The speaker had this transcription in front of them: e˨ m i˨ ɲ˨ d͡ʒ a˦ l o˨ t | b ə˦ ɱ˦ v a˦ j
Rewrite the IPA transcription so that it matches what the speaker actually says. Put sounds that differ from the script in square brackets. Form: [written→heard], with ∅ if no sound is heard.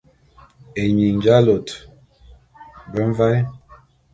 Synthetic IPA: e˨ [m→ɲ] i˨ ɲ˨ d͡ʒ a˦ l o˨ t | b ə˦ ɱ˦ v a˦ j

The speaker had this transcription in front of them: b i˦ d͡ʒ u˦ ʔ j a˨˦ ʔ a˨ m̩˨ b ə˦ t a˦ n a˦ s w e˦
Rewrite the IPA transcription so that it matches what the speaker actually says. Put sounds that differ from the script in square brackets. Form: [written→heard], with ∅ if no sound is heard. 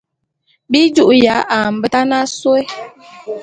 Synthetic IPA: b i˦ d͡ʒ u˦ ʔ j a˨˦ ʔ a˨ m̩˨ b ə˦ t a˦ n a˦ s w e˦

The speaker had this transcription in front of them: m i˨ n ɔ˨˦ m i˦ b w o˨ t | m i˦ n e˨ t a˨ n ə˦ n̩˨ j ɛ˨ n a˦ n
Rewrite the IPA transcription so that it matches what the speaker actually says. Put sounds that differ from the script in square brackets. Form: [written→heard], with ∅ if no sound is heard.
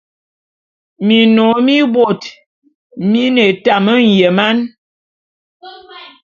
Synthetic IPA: m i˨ n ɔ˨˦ m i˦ b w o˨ t | m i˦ n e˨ t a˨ [n→m] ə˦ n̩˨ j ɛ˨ [n→m] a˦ n

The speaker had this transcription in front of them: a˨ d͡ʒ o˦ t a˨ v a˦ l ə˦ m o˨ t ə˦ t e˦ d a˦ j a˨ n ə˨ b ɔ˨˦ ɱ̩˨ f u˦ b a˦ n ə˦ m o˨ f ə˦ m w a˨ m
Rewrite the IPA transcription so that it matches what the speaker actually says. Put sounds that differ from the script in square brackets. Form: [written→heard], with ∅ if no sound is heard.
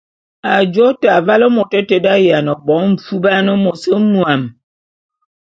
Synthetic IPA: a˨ d͡ʒ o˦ t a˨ v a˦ l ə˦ m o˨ t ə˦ t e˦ d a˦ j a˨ n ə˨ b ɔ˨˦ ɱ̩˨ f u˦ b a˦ n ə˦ m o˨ [f→s] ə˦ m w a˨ m

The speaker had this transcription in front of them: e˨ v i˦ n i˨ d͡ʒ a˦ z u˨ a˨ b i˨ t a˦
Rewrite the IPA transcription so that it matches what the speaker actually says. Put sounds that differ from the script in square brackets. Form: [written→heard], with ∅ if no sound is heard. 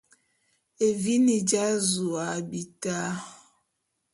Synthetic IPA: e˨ v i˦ n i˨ d͡ʒ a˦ z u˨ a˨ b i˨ t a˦

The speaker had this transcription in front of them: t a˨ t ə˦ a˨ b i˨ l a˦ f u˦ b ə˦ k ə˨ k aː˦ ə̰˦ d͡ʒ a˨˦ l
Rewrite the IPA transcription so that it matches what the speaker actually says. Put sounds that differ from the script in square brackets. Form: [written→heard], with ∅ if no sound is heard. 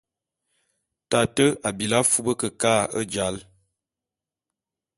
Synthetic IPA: t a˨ t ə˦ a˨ b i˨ l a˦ f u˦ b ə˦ k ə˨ k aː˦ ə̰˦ d͡ʒ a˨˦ l

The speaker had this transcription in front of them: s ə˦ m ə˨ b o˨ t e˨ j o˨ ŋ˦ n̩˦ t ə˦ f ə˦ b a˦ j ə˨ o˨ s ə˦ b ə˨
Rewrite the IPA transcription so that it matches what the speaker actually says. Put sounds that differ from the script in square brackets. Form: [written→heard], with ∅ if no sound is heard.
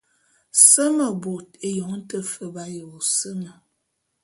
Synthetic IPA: s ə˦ m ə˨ b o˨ t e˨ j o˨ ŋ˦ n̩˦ t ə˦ f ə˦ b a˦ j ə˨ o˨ s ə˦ [b→m] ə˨

